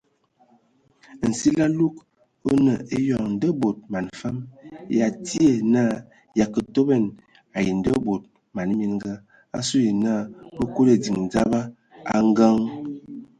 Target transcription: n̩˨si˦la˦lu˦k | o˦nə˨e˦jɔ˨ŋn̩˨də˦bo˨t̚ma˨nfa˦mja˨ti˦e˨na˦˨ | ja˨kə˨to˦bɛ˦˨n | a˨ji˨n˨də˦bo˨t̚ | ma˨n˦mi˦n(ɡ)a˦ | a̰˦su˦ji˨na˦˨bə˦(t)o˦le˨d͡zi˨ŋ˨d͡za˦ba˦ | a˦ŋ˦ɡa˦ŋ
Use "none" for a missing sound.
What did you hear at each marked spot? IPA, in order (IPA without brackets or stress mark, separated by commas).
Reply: ɡ, k